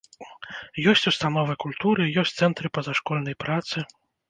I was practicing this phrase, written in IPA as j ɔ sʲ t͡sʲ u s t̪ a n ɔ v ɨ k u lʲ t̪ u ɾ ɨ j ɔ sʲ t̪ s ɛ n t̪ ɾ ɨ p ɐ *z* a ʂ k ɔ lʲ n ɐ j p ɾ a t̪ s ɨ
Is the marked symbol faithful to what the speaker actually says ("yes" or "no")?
yes